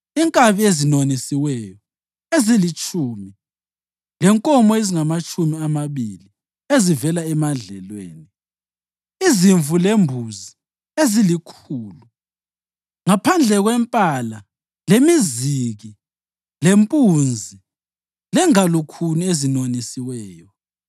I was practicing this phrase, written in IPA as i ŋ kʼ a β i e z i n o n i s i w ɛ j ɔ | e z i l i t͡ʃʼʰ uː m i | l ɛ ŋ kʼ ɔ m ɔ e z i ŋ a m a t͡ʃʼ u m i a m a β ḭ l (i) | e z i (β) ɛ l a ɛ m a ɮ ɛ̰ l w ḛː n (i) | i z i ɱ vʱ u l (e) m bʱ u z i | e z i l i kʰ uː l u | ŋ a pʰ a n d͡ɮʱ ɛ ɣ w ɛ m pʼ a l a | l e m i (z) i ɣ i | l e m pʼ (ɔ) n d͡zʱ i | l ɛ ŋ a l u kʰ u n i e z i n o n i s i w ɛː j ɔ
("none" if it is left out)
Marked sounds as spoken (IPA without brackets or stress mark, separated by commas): i, v, i, e, z, u